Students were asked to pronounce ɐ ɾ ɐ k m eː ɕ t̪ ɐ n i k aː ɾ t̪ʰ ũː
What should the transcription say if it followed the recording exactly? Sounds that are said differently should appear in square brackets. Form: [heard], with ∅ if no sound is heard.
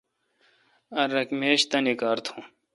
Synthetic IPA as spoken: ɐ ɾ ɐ k m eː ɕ t̪ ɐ n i k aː ɾ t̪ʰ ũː